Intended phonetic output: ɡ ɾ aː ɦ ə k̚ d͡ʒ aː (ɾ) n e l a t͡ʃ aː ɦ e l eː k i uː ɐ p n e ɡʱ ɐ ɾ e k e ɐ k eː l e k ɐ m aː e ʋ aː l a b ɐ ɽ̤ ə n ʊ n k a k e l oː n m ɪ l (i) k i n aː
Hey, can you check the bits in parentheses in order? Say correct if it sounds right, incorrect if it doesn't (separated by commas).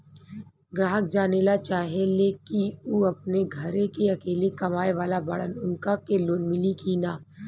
incorrect, correct